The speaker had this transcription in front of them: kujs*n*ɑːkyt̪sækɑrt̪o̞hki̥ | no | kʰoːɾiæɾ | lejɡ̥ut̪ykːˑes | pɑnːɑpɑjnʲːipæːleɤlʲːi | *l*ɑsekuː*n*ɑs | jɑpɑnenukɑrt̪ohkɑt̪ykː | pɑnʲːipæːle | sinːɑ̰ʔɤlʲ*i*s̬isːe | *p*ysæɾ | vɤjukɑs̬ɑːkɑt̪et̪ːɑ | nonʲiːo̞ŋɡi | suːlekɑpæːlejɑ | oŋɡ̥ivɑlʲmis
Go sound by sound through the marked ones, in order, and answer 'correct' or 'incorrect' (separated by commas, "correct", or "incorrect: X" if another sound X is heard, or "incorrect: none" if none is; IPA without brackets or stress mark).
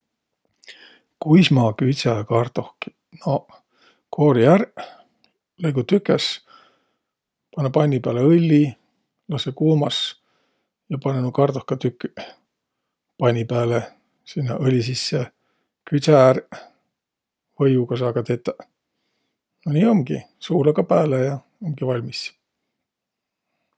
incorrect: m, correct, incorrect: m, correct, incorrect: k